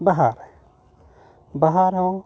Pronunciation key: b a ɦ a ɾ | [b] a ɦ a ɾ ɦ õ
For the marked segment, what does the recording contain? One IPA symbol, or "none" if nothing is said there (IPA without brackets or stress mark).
b